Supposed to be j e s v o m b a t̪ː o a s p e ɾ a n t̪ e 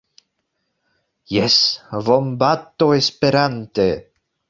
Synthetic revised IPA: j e s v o m b a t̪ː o e s p e ɾ a n t̪ e

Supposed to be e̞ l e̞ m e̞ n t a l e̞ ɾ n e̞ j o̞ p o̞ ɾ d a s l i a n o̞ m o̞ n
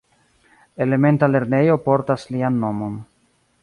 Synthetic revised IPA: e̞ l e̞ m e̞ n t a l e̞ ɾ n e̞ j o̞ p o̞ ɾ t a s l i a nː o̞ m o̞ n

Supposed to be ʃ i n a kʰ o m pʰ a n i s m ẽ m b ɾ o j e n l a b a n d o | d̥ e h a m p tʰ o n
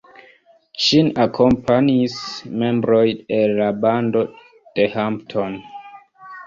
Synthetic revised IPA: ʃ i n a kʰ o m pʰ a n i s m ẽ m b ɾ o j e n l a b a n d o | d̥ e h a m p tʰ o n

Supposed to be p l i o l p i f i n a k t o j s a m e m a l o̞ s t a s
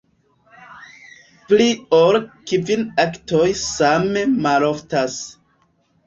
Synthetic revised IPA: p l i o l k i v i n a k t o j s a m e m a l o̞ f t a s

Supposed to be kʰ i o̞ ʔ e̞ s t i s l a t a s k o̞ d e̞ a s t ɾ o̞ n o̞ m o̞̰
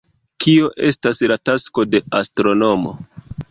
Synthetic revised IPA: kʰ i o̞ ʔ e̞ s t a s l a t a s k o̞ d e̞ a s t ɾ o̞ n o̞ m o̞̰

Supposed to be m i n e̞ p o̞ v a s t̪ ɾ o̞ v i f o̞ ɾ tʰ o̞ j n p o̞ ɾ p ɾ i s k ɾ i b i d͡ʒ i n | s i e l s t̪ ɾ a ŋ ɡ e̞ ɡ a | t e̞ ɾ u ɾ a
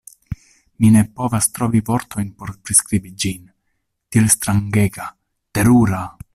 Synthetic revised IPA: m i n e̞ p o̞ v a s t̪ ɾ o̞ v i v o̞ ɾ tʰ o̞ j n p o̞ ɾ p ɾ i s k ɾ i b i d͡ʒ i n | t i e l s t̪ ɾ a ŋ ɡ e̞ ɡ a | t e̞ ɾ u ɾ a

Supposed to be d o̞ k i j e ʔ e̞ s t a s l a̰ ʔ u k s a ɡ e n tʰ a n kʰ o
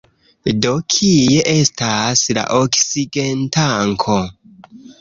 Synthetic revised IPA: d o̞ kʰ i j e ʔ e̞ s t a s l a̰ ʔ o k s i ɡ e n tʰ a ŋ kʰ o

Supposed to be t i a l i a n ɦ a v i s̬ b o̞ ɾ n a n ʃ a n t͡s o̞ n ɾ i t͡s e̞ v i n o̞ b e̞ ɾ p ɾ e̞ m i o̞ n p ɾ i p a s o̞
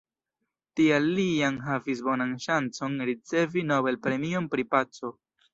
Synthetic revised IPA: t i a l i a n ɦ a v i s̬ b o̞ n a n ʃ a n t͡s o̞ n ɾ i t͡s e̞ v i n o̞ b e̞ l p ɾ e̞ m i o̞ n p ɾ i p a t͡s o̞

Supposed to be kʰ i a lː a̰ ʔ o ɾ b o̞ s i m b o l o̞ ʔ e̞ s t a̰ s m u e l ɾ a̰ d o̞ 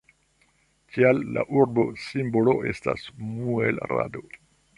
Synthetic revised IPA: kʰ i a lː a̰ ʔ u ɾ b o̞ s i m b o l o̞ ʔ e̞ s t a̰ s m u e l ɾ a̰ d o̞

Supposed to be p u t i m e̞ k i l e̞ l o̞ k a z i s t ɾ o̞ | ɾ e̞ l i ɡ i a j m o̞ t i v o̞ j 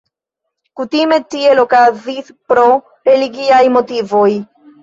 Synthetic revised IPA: k u t i m e̞ t i e̞ l o̞ k a z i s p ɾ o̞ | ɾ e̞ l i ɡ i a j m o̞ t i v o̞ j

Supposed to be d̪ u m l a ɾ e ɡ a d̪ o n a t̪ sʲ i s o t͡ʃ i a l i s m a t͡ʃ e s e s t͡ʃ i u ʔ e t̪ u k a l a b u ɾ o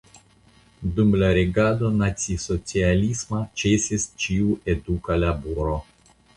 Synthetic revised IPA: d̪ u m l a ɾ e ɡ a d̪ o n a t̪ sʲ i s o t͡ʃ i a l i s m a t͡ʃ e s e s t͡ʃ i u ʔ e d̪ u k a l a b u ɾ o

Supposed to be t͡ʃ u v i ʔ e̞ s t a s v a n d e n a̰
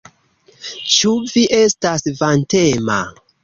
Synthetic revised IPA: t͡ʃ u v i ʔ e̞ s t a s v a n t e m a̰

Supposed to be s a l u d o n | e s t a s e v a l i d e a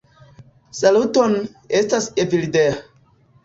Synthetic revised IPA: s a l u t o n | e s t a s e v i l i d e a

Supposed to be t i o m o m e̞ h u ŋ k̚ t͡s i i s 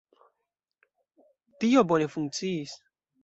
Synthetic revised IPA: t i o b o n e̞ f u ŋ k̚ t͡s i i s

